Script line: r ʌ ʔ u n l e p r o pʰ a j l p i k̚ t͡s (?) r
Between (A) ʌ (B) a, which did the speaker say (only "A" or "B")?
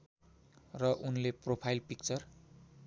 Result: A